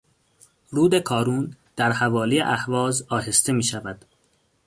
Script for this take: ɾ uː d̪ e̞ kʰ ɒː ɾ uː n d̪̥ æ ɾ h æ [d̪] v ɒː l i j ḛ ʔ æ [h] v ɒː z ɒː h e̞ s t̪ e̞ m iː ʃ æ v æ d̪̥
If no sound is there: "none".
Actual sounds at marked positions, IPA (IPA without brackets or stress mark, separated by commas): none, h